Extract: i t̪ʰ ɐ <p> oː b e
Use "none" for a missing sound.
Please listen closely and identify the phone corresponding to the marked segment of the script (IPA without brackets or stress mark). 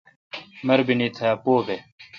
p